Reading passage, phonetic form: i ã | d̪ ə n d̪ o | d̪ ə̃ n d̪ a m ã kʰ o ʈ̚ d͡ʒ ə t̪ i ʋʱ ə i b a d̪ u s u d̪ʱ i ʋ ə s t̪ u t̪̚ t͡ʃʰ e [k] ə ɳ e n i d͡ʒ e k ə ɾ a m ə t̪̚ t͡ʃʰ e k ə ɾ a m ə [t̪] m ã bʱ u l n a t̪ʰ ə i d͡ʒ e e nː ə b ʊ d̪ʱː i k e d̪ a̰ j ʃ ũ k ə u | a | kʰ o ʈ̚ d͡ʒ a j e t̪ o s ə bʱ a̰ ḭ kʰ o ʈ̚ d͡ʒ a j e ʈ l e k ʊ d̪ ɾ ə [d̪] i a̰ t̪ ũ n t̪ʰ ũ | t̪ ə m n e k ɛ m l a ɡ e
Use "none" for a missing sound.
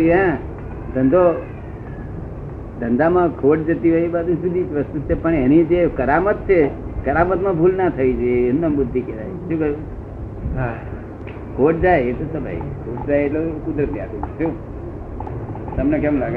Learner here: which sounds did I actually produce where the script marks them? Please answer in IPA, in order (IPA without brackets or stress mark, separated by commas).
p, t̪, t̪